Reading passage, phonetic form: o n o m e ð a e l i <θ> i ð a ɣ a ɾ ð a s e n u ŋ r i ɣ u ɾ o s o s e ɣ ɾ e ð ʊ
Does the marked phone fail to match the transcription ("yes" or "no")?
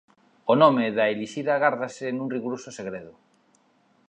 yes